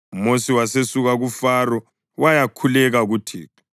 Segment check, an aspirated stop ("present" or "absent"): present